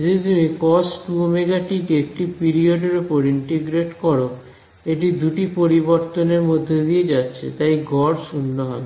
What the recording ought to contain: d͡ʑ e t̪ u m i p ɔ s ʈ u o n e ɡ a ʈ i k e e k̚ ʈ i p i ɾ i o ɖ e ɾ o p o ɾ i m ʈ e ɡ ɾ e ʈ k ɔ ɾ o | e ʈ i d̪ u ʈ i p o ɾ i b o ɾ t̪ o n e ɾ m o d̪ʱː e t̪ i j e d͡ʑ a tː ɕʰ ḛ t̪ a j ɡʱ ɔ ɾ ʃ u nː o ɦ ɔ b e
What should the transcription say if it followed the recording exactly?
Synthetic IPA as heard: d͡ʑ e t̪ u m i k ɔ s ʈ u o m e ɡ a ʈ i k e e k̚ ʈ i p i ɾ i o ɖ e ɾ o p o ɾ i ɳ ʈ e ɡ ɾ e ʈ k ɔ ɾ o | e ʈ i d̪ u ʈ i p o ɾ i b o ɾ t̪ o n e ɾ m o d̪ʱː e d̪ i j e d͡ʑ a tː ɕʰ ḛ t̪ a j ɡʱ ɔ ɾ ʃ u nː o ɦ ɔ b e